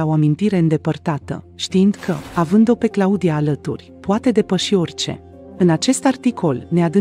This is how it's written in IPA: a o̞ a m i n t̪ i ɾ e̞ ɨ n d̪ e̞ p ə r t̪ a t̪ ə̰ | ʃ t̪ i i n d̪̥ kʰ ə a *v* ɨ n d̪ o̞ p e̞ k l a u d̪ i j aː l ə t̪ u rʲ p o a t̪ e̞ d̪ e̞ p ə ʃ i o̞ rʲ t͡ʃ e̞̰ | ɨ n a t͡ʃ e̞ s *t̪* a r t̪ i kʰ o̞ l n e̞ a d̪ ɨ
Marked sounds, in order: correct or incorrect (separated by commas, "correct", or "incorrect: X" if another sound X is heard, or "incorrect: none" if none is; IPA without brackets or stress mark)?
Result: correct, correct